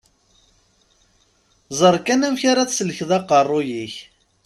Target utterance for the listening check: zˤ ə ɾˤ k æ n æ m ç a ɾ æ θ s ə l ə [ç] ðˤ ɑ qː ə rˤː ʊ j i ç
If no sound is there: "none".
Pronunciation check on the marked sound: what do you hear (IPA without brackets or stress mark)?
ç